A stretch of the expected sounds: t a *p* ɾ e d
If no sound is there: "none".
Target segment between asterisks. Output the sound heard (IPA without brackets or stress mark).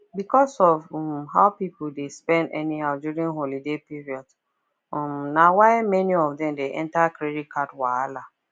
k